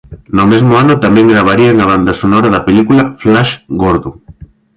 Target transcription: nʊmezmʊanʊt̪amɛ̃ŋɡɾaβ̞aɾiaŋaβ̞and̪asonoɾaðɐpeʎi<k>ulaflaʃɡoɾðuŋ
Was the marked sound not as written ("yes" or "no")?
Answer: no